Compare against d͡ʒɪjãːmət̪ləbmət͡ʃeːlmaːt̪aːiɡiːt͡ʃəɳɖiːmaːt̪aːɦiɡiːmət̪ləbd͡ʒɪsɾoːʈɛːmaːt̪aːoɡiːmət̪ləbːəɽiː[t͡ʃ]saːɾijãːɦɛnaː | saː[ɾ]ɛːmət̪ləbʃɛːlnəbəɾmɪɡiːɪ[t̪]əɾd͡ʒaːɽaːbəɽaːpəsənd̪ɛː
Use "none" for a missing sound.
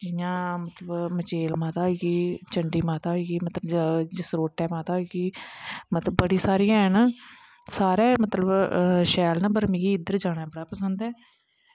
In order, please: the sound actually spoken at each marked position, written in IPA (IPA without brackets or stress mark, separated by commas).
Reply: none, ɾ, d̪